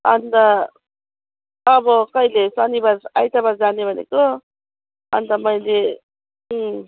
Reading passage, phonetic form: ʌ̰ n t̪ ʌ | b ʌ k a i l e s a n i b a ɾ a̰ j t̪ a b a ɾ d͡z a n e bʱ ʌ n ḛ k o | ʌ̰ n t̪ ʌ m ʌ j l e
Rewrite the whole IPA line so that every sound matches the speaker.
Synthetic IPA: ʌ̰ n t̪ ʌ | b ʌ k ʌ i l e s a n i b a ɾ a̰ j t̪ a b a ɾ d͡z a n e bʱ ʌ n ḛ k o | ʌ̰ n t̪ ʌ m ʌ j l e